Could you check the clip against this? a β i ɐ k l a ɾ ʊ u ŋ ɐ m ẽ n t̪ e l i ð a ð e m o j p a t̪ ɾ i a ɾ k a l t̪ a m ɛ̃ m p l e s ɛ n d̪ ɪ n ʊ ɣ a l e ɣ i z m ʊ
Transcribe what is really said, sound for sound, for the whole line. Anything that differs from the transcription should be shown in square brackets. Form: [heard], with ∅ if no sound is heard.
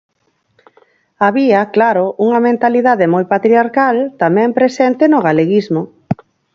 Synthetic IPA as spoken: a β i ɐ k l a ɾ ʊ u ŋ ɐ m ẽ n t̪ [a] l i ð a ð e m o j p a t̪ ɾ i a ɾ k a l t̪ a m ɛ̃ m p [ɾ] e s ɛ n [t̪] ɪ n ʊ ɣ a l e ɣ i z m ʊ